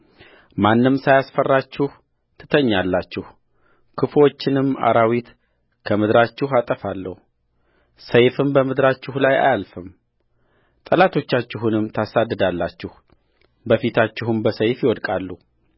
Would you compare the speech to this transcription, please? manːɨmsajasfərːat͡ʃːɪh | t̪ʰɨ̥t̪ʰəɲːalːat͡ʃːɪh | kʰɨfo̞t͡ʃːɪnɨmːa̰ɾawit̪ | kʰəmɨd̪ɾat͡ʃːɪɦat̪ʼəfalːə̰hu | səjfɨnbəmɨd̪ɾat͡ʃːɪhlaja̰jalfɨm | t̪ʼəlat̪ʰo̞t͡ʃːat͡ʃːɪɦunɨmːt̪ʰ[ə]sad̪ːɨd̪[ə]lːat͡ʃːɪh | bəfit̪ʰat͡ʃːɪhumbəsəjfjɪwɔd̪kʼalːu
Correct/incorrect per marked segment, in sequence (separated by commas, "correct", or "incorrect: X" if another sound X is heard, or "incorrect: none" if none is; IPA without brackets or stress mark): incorrect: a, incorrect: a